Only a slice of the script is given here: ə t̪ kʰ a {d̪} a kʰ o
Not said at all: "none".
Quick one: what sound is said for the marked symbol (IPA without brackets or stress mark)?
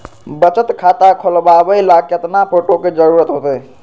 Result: t̪